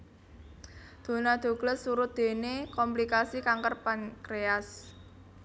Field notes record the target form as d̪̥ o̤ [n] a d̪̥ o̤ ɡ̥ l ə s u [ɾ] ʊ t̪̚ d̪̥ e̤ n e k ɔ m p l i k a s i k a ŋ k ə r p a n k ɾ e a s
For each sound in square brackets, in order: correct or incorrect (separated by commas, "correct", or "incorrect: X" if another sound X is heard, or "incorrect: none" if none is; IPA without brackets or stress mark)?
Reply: correct, correct